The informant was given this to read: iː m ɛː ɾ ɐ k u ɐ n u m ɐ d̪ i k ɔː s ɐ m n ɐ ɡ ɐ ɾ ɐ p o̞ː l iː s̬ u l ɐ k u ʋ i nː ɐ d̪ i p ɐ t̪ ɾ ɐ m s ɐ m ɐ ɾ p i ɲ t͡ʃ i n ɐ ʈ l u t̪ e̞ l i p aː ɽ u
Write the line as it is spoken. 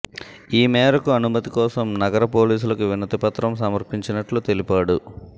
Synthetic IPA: iː m ɛː ɾ ɐ k u ɐ n u m ɐ t̪ i k ɔː s ɐ m n ɐ ɡ ɐ ɾ ɐ p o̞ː l iː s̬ u l ɐ k u ʋ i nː ɐ t̪ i p ɐ t̪ ɾ ɐ m s ɐ m ɐ ɾ p i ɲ t͡ʃ i n ɐ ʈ l u t̪ e̞ l i p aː ɽ u